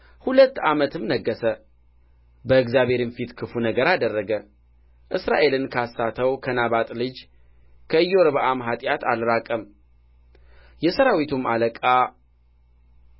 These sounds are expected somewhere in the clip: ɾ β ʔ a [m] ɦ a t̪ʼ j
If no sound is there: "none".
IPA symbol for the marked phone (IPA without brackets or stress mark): m